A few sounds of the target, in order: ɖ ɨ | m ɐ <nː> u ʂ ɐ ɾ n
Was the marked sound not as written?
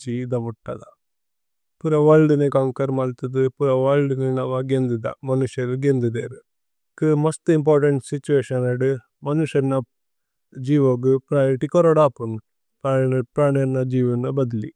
yes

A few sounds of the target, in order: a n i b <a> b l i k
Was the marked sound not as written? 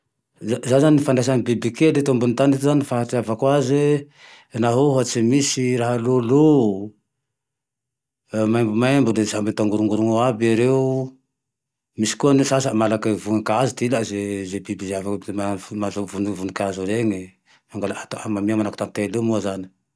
yes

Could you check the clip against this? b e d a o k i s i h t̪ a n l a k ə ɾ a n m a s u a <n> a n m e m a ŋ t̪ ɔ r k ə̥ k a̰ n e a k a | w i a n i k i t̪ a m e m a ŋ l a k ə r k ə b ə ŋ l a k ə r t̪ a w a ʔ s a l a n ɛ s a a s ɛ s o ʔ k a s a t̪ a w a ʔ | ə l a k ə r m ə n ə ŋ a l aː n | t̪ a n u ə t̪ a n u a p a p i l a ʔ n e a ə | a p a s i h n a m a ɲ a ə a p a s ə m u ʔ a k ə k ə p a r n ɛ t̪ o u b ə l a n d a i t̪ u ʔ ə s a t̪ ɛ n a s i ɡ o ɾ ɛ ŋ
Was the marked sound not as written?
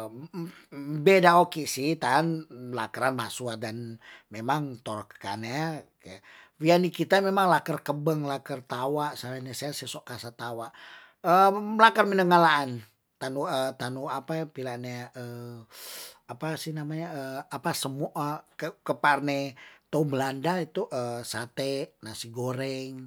yes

